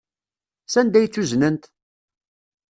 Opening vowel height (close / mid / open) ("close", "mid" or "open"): open